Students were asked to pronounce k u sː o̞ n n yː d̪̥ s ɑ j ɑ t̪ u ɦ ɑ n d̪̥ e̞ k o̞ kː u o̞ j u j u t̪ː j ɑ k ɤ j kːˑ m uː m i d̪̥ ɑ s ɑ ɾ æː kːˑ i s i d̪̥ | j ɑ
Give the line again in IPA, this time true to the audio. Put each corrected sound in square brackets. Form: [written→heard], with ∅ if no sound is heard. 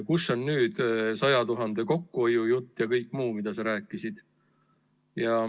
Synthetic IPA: k u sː o̞ n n yː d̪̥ s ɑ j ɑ t̪ u ɦ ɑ n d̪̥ e̞ k o̞ kː u o̞ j u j u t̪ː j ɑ k ɤ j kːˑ m uː m i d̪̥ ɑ s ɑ ɾ æː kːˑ i s i d̪̥ | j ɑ